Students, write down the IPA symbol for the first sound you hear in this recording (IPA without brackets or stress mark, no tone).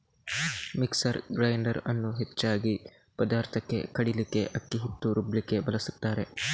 m